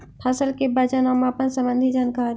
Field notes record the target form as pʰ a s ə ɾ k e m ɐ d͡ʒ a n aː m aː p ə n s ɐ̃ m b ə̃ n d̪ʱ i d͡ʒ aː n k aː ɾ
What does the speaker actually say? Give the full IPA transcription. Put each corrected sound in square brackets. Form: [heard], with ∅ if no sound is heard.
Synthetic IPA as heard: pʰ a s ə [l] k e [b] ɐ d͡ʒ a n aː m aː p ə n s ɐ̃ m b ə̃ n d̪ʱ i d͡ʒ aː n k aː ɾ